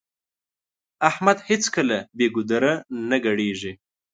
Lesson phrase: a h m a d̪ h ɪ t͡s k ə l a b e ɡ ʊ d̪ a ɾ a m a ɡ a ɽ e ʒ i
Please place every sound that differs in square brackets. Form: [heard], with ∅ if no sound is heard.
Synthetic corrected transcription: a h m a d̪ h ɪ t͡s k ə l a b e ɡ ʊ d̪ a ɾ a [n] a ɡ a ɽ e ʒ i